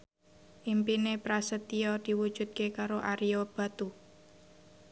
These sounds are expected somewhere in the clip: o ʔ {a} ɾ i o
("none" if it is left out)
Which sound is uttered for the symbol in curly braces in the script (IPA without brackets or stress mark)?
a